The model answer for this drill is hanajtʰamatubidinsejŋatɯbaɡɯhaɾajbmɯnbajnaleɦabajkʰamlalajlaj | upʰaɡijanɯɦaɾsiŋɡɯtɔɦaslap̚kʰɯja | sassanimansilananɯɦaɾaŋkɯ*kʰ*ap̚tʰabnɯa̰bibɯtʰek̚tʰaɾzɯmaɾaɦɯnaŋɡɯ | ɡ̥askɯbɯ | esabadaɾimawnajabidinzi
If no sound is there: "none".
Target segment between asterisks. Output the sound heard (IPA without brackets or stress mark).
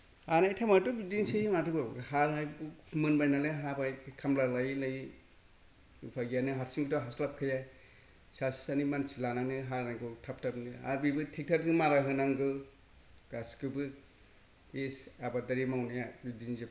tʰ